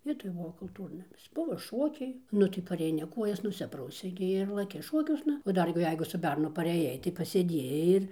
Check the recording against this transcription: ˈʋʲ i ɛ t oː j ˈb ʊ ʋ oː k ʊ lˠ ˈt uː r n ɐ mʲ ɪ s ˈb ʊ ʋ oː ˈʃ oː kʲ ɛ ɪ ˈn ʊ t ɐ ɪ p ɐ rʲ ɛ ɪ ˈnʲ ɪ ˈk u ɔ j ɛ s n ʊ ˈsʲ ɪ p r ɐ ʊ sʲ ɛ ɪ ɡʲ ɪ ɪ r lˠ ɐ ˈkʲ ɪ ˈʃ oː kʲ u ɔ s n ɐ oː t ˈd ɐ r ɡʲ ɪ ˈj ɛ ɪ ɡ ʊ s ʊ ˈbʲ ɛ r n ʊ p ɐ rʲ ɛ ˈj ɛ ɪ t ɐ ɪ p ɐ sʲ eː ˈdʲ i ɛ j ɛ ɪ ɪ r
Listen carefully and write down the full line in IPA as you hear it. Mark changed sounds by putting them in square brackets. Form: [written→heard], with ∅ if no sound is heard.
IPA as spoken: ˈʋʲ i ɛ t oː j ˈb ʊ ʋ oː k ʊ lˠ ˈt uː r n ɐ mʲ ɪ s ˈb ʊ ʋ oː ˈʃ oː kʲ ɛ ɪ ˈn ʊ t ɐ ɪ p ɐ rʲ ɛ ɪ ˈnʲ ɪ ˈk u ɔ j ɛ s n ʊ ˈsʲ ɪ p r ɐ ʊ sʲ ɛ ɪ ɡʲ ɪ ɪ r lˠ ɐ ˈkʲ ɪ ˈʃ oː kʲ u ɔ s n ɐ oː [t→∅] ˈd ɐ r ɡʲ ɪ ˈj ɛ ɪ ɡ ʊ s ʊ ˈbʲ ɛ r n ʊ p ɐ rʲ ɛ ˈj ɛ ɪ t ɐ ɪ p ɐ sʲ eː ˈdʲ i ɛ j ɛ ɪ ɪ r

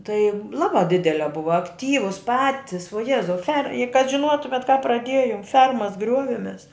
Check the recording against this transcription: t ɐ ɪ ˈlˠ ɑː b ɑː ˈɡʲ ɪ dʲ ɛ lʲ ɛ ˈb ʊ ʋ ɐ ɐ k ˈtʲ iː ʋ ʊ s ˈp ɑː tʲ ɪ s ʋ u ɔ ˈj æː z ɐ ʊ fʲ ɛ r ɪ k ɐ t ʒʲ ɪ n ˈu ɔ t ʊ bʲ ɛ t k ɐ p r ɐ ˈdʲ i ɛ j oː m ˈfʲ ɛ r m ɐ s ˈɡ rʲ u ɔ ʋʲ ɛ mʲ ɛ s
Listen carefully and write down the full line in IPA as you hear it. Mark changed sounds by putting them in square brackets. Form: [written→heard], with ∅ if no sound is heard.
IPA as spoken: t ɐ ɪ ˈlˠ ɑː b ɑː [ˈɡʲ→ˈdʲ] ɪ dʲ ɛ lʲ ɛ ˈb ʊ ʋ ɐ ɐ k ˈtʲ iː ʋ ʊ s ˈp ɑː tʲ ɪ s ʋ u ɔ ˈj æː z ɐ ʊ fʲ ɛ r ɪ k ɐ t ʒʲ ɪ n ˈu ɔ t ʊ [bʲ→mʲ] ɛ t k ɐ p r ɐ ˈdʲ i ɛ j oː m ˈfʲ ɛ r m ɐ s ˈɡ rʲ u ɔ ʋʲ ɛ mʲ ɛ s

